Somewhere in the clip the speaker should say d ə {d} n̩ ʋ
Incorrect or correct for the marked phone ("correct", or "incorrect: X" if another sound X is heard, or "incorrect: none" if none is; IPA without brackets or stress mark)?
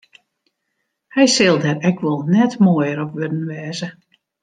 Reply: incorrect: none